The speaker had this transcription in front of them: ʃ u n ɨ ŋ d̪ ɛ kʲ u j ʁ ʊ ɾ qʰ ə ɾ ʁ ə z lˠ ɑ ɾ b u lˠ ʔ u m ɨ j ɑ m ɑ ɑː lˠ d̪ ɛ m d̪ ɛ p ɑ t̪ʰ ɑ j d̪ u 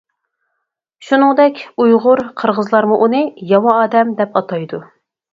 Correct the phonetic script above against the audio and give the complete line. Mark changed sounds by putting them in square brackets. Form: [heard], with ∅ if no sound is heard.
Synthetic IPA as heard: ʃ u n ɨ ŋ d̪ ɛ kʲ u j ʁ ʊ ɾ qʰ ə ɾ ʁ ə z lˠ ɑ ɾ [m] u [∅] ʔ u [n] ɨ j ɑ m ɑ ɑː [∅] d̪ ɛ m d̪ ɛ p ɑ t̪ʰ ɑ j d̪ u